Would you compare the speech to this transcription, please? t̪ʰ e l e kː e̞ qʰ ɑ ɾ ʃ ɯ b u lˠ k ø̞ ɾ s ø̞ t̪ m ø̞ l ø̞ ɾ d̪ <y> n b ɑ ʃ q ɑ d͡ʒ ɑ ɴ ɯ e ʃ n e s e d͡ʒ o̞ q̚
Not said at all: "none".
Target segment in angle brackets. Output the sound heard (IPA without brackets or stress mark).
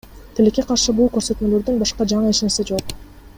y